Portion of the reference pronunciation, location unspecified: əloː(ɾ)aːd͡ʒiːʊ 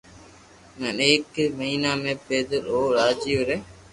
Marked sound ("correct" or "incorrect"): correct